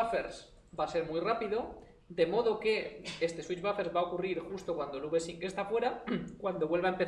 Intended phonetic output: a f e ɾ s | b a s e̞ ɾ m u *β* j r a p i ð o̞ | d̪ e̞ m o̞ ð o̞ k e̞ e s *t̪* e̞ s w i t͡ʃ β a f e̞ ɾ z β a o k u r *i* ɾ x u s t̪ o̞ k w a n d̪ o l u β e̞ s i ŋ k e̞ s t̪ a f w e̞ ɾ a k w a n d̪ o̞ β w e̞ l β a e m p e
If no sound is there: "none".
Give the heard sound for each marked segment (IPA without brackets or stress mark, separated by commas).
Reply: none, t̪, i